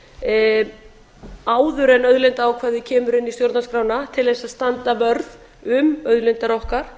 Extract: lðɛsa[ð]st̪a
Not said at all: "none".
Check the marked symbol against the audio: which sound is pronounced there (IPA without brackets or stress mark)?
ð